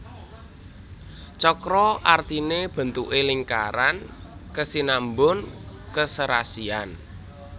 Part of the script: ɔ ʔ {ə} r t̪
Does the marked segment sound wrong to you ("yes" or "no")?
yes